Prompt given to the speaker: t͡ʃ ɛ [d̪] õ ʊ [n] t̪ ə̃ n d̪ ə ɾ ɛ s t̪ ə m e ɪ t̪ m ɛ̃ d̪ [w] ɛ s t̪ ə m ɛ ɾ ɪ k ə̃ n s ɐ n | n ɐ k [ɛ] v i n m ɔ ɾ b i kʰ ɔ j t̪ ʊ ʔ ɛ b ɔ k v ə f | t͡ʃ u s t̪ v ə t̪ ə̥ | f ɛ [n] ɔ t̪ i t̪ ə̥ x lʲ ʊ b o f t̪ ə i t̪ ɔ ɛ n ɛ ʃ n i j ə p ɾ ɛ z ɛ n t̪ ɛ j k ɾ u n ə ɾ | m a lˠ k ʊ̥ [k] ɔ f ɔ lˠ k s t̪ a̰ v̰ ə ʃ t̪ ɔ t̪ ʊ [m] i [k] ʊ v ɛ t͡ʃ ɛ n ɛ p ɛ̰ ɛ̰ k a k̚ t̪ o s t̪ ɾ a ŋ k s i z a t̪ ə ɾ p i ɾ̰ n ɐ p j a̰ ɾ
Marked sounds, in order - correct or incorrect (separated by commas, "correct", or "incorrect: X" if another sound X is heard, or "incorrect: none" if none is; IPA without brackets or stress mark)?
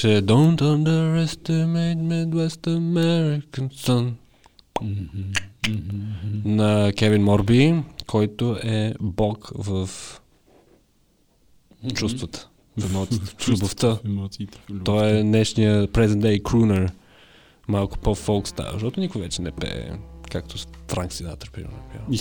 correct, correct, correct, correct, incorrect: m, incorrect: p, incorrect: n, correct